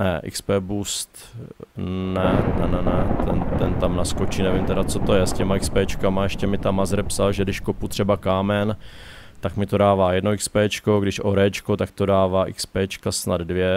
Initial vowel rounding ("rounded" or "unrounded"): unrounded